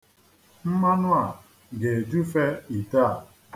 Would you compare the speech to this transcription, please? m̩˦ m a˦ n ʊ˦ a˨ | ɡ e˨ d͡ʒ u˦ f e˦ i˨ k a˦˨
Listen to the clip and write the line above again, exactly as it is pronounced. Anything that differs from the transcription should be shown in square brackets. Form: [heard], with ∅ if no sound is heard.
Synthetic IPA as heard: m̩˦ m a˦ n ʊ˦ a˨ | ɡ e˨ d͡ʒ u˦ f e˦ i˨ [t] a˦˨